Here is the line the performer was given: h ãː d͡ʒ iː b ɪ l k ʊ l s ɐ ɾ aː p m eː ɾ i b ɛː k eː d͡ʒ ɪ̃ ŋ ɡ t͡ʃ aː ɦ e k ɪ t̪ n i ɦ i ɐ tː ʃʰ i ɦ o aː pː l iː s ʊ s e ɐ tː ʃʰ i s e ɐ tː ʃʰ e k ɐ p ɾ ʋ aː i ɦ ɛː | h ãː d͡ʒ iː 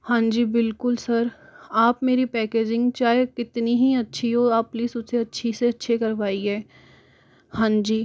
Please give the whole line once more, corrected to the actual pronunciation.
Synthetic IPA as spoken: h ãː d͡ʒ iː b ɪ l k ʊ l s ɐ ɾ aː p m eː ɾ i p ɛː k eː d͡ʒ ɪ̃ ŋ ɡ t͡ʃ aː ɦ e k ɪ t̪ n i ɦ i ɐ tː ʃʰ i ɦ o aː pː l iː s ʊ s e ɐ tː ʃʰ i s e ɐ tː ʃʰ e k ɐ ɾ ʋ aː i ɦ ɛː | h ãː d͡ʒ iː